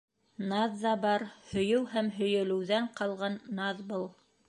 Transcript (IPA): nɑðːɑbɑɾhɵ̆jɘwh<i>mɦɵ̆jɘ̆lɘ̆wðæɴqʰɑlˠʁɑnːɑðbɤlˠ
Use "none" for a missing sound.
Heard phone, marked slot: æ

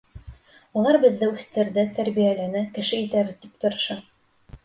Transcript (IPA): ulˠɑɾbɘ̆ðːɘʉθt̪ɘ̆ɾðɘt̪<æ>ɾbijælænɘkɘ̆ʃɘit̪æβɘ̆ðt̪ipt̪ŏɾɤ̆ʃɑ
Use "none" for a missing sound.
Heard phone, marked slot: æ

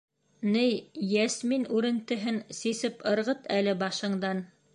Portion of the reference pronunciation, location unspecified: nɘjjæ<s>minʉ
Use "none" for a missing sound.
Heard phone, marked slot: s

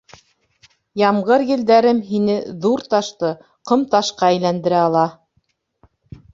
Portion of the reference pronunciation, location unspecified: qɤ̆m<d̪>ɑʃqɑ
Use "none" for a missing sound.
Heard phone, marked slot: t̪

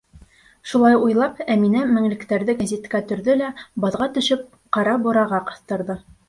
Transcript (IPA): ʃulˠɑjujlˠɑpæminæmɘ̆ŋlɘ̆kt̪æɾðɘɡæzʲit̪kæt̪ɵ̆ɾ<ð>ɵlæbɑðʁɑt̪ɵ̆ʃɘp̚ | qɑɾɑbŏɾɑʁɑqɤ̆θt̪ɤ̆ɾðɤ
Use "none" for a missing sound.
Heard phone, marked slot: ð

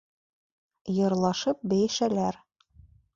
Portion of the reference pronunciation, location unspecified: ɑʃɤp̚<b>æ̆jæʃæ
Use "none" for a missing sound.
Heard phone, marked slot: b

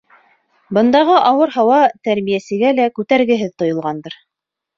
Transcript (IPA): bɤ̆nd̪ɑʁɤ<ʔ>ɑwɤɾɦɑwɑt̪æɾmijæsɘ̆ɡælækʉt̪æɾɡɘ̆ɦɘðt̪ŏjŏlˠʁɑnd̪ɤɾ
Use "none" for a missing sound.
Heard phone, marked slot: ʔ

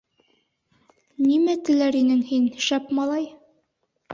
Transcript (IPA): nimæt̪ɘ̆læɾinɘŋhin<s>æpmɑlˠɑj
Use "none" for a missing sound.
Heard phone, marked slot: ʃ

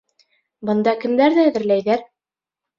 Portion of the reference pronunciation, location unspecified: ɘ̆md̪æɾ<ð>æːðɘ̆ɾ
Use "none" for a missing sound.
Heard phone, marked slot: ð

